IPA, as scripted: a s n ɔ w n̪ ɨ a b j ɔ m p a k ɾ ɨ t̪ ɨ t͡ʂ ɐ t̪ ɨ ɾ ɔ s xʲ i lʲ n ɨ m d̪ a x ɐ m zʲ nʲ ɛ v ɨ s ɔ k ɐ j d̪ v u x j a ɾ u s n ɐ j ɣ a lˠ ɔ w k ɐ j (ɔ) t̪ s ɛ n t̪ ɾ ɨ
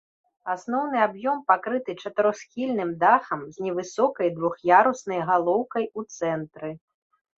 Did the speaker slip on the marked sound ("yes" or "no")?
yes